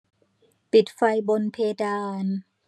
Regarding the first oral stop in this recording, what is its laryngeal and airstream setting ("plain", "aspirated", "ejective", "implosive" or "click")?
plain